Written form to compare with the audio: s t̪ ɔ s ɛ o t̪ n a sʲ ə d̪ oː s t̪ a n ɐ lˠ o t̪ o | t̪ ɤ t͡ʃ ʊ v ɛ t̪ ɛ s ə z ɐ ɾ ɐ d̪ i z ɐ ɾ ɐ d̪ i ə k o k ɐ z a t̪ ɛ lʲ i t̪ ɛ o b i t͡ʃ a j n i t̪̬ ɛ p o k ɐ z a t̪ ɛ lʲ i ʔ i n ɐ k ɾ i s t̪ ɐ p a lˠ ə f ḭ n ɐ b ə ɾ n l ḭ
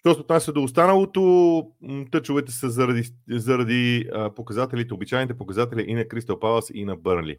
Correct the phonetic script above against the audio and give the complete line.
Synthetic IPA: ʃ t̪ ɔ s ɛ o t̪ n a sʲ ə d̪ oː s t̪ a n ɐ lˠ o t̪ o | t̪ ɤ t͡ʃ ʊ v ɛ t̪ ɛ s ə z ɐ ɾ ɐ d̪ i z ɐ ɾ ɐ d̪ i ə p o k ɐ z a t̪ ɛ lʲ i t̪ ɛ o b i t͡ʃ a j n i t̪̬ ɛ p o k ɐ z a t̪ ɛ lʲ i ʔ i n ɐ k ɾ i s t̪ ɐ p a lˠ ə s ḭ n ɐ b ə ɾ n l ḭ